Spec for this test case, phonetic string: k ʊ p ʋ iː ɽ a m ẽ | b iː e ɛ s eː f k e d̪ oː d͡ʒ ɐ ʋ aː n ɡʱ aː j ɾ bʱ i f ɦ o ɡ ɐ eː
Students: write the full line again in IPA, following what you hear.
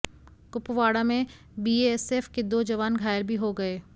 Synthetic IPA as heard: k ʊ p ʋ aː ɽ a m ẽ | b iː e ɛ s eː f k e d̪ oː d͡ʒ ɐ ʋ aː n ɡʱ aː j ɾ bʱ i ɦ o ɡ ɐ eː